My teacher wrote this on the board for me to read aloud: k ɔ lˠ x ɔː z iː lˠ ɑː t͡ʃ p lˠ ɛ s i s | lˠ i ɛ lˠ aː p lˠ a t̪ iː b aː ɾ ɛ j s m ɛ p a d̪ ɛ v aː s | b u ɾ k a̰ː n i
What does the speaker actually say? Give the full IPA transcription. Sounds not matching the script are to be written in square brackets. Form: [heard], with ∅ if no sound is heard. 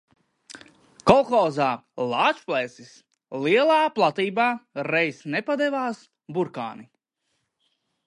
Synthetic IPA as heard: k ɔ lˠ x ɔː z [aː] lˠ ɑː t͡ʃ p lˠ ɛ s i s | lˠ i ɛ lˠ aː p lˠ a t̪ iː b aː ɾ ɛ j s [n] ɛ p a d̪ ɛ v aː s | b u ɾ k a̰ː n i

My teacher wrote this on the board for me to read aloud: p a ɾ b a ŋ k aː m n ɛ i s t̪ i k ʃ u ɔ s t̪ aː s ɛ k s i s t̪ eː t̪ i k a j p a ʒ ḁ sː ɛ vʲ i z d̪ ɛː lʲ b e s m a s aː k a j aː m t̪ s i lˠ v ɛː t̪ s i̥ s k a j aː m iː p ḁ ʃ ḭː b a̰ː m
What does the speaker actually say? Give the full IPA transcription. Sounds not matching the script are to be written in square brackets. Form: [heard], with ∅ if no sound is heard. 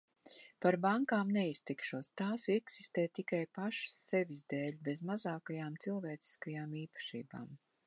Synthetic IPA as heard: p a ɾ b a ŋ k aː m n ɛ i s t̪ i k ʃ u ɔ s t̪ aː s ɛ k s i s t̪ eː t̪ i k a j p a [ʃ] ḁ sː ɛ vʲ i z d̪ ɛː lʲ b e [z] m a [z] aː k a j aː m t̪ s i lˠ v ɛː t̪ s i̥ s k a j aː m iː p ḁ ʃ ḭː b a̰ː m

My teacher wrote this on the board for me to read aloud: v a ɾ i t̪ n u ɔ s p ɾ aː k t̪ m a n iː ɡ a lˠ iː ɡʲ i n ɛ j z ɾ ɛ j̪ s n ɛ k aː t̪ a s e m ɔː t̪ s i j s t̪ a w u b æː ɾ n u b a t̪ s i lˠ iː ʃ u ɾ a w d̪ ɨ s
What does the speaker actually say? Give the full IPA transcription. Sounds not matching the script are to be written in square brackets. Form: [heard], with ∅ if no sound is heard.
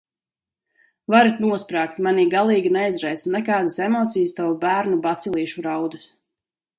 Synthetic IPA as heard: v a ɾ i t̪ n u ɔ s p ɾ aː k t̪ m a n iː ɡ a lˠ iː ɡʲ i n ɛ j z ɾ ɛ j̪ s n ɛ k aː [d̪] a s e m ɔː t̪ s i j s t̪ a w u b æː ɾ n u b a t̪ s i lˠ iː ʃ u ɾ a w d̪ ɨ s

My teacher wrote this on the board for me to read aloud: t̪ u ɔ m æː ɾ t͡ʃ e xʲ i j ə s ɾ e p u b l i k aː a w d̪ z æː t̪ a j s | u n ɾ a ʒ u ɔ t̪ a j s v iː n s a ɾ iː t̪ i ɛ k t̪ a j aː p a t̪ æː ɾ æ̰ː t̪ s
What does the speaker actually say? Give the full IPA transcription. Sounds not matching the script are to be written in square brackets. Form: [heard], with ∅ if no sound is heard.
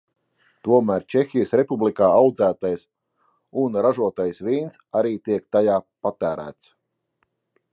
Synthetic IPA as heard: t̪ u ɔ m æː ɾ t͡ʃ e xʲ i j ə s ɾ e p u b l i k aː a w d̪ z æː t̪ a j s | u n ɾ a ʒ u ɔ t̪ a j s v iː n s a ɾ iː t̪ i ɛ k t̪ a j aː p a t̪ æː ɾ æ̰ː t̪ s

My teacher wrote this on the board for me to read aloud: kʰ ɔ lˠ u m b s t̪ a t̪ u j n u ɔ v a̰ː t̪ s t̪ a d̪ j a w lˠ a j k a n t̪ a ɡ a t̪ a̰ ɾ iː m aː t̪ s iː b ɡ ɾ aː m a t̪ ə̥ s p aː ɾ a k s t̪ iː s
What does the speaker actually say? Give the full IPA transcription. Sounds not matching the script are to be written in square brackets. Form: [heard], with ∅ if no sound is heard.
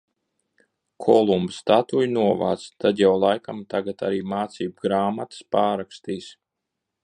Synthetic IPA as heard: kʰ ɔ lˠ u m b s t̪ a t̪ u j n u ɔ v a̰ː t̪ s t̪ a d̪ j a w lˠ a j k a [m] t̪ a ɡ a t̪ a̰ ɾ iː m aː t̪ s iː b ɡ ɾ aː m a t̪ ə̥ s p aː ɾ a k s t̪ iː s

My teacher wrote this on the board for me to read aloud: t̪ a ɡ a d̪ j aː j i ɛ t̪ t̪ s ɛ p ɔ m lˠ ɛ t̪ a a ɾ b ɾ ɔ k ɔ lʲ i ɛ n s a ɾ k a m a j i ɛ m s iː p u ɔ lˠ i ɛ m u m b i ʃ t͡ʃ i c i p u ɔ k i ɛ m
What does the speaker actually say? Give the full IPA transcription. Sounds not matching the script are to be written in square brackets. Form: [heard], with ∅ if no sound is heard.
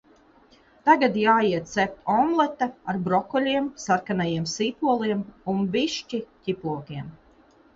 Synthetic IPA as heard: t̪ a ɡ a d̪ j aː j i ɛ t̪ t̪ s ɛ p ɔ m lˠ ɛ t̪ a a ɾ b ɾ ɔ k ɔ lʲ i ɛ [m] s a ɾ k a [n] a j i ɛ m s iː p u ɔ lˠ i ɛ m u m b i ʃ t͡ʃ i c i p u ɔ k i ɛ m

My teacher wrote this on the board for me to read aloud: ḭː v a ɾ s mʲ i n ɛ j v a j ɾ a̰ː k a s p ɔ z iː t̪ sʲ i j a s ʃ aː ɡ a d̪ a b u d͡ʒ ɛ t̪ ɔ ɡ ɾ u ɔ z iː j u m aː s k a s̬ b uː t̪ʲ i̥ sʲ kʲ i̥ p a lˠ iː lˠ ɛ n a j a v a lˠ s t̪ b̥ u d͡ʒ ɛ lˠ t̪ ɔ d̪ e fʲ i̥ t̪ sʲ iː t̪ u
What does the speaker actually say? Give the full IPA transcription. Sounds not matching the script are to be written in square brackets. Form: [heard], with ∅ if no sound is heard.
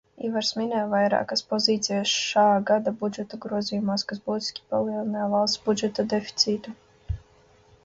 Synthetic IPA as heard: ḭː v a ɾ s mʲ i n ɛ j v a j ɾ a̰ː k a s p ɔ z iː t̪ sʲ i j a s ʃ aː ɡ a d̪ a b u d͡ʒ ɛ t̪ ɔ ɡ ɾ u ɔ z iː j u m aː s k a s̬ b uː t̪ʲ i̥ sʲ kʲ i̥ p a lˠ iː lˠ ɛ n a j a v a lˠ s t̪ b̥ u d͡ʒ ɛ [∅] t̪ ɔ d̪ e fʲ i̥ t̪ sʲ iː t̪ u

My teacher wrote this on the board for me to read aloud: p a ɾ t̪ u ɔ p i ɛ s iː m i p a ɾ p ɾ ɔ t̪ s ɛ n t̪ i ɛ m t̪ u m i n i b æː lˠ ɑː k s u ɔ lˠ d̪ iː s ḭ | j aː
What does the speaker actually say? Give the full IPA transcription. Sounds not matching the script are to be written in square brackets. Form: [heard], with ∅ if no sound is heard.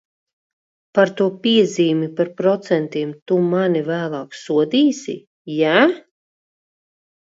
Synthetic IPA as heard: p a ɾ t̪ u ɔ p i ɛ [z] iː m i p a ɾ p ɾ ɔ t̪ s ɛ n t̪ i ɛ m t̪ u m [a] n i [v] æː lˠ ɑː k s u ɔ [∅] d̪ iː s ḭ | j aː

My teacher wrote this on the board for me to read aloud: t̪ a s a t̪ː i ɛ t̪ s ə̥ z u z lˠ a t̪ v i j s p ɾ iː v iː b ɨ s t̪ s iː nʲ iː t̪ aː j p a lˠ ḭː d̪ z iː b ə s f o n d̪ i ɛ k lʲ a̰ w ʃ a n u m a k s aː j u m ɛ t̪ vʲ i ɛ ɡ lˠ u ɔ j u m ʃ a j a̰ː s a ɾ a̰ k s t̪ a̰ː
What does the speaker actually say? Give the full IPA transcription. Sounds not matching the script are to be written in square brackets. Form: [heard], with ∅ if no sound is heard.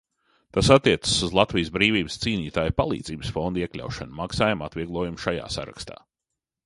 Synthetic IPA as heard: t̪ a s a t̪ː i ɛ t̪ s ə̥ [s] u z lˠ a t̪ v i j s [b] ɾ iː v iː b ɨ s t̪ s iː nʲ iː t̪ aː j p a lˠ ḭː d̪ z iː b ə s f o n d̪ i ɛ k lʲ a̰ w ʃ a n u m a k s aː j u m [a] t̪ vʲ i ɛ ɡ lˠ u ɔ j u m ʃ a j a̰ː s a ɾ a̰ k s t̪ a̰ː

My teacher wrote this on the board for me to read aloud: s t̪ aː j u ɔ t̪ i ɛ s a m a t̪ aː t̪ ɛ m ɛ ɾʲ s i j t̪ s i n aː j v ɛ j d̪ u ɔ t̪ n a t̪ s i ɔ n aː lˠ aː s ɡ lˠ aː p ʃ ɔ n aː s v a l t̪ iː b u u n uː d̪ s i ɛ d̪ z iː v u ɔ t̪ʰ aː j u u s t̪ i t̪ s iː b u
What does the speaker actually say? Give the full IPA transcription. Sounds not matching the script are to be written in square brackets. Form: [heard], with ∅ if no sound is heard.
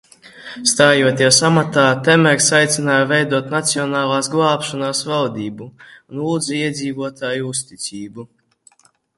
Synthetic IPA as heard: s t̪ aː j u ɔ t̪ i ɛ s a m a t̪ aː t̪ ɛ m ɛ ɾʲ s [a] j t̪ s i n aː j v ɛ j d̪ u ɔ t̪ n a t̪ s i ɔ n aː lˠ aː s ɡ lˠ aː p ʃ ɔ n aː s v a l [d̪] iː b u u n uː d̪ [z] i ɛ d̪ z iː v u ɔ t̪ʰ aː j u u s t̪ i t̪ s iː b u

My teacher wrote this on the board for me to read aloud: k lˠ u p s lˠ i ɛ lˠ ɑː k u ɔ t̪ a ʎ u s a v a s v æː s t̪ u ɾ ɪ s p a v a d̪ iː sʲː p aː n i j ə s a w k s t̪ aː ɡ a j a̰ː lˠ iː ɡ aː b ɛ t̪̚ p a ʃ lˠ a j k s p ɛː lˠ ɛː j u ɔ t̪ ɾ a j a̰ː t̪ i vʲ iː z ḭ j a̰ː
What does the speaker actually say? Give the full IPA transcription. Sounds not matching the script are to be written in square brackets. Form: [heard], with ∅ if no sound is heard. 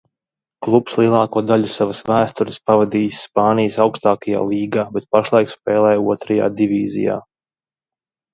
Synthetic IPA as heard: k lˠ u p s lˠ i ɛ lˠ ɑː k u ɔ [d̪] a ʎ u s a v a s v æː s t̪ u ɾ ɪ s p a v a d̪ iː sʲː p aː n i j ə s a w k s t̪ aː [k] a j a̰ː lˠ iː ɡ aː b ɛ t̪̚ p a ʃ lˠ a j k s p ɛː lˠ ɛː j u ɔ t̪ ɾ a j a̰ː [d̪] i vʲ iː z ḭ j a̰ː

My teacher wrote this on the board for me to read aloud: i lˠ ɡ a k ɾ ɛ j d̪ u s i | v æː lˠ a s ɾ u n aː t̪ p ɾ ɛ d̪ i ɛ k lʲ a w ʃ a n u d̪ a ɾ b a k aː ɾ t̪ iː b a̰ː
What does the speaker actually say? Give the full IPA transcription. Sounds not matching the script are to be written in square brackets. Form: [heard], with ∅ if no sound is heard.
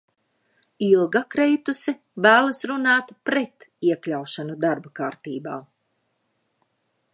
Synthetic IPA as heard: i lˠ ɡ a k ɾ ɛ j [t̪] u s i | v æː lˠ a s ɾ u n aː t̪ p ɾ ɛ [t̪] i ɛ k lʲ a w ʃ a n u d̪ a ɾ b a k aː ɾ t̪ iː b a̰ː

